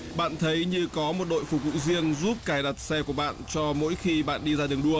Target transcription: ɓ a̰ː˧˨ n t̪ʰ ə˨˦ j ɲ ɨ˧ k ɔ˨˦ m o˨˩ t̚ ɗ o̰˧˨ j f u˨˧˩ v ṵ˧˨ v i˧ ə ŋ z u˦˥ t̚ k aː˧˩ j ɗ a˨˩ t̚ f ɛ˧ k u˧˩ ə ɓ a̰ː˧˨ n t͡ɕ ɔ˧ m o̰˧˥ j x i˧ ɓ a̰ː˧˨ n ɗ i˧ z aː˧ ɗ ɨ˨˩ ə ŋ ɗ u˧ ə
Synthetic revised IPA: ɓ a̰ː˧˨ n t̪ʰ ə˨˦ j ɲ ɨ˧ k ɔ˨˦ m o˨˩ t̚ ɗ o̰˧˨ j f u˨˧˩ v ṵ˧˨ z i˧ ə ŋ z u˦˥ p̚ k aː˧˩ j ɗ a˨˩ t̚ s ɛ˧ k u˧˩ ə ɓ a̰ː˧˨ n t͡ɕ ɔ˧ m o̰˧˥ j x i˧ ɓ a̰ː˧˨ n ɗ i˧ z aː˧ ɗ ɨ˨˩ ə ŋ ɗ u˧ ə